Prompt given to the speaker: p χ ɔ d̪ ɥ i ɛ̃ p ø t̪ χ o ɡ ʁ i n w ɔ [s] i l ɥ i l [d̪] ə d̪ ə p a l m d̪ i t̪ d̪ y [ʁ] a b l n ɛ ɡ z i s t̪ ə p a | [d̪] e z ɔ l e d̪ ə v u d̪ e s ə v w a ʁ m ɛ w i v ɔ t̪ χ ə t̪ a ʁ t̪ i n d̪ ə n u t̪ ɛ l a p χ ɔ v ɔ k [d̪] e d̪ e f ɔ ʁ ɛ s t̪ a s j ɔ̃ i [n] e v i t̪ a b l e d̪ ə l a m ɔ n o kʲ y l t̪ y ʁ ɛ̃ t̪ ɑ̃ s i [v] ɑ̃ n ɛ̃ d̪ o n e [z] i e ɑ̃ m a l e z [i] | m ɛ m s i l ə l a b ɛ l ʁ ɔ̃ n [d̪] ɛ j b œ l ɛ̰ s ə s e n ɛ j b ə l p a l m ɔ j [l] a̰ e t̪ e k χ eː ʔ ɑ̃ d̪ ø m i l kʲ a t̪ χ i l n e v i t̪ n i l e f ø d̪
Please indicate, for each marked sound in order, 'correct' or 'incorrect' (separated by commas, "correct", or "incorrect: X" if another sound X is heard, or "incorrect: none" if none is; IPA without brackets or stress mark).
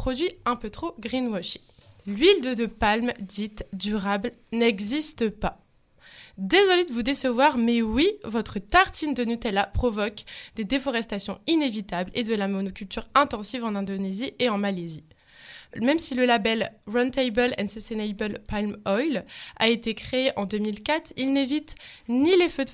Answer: incorrect: ʃ, correct, correct, correct, correct, correct, correct, correct, correct, incorrect: t̪, correct